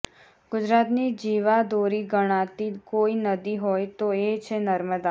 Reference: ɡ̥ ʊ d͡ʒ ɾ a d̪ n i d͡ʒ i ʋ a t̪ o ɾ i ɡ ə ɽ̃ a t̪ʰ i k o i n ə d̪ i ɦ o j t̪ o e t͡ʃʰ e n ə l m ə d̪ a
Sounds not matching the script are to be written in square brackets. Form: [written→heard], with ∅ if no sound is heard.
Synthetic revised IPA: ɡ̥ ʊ d͡ʒ ɾ a [d̪→t̪] n i d͡ʒ i ʋ a [t̪→d̪] o ɾ i ɡ ə ɽ̃ a [t̪ʰ→t̪] i k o i n ə d̪ i ɦ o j t̪ o e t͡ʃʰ e n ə [l→ɾ] m ə d̪ a